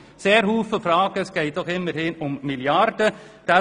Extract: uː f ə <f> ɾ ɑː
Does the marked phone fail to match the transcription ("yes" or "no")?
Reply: no